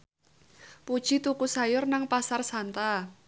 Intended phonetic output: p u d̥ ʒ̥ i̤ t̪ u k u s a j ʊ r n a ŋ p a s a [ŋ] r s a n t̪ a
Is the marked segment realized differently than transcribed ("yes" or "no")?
yes